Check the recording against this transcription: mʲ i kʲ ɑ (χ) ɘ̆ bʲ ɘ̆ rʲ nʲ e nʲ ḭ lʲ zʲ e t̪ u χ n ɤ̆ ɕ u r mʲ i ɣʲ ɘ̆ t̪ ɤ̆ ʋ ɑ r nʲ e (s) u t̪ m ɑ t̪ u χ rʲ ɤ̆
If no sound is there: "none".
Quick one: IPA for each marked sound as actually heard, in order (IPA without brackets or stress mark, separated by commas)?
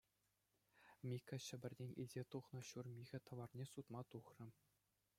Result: ɕ, s